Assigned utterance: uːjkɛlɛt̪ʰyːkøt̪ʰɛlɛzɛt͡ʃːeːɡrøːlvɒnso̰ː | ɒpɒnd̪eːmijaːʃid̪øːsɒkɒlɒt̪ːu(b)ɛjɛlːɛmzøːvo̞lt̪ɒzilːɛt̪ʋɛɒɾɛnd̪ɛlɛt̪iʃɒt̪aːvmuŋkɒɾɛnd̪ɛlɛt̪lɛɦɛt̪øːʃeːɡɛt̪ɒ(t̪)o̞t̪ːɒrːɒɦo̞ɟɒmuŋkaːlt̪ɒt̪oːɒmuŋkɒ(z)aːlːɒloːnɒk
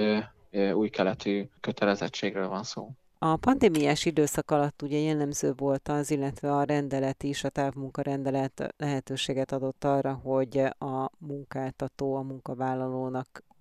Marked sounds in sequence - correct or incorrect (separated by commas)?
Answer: incorrect, incorrect, incorrect